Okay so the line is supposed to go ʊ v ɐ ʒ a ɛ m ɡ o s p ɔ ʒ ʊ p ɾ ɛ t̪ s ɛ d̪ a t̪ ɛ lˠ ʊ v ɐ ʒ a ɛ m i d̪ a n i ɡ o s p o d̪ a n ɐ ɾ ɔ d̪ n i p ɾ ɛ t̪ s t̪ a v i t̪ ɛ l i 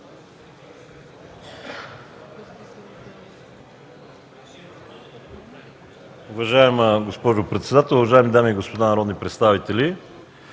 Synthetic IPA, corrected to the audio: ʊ v ɐ ʒ a ɛ m ɡ o s p ɔ ʒ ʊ p ɾ ɛ t̪ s ɛ d̪ a t̪ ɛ lˠ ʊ v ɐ ʒ a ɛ m i d̪ a m i ɡ o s p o d̪ a n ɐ ɾ ɔ d̪ n i p ɾ ɛ t̪ s t̪ a v i t̪ ɛ l i